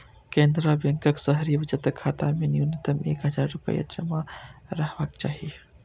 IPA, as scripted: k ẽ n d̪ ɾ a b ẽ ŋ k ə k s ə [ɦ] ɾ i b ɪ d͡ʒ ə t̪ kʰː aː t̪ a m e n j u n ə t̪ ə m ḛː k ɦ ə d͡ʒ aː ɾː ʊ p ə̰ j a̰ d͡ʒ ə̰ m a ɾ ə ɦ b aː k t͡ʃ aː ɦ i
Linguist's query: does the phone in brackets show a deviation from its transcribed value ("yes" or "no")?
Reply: no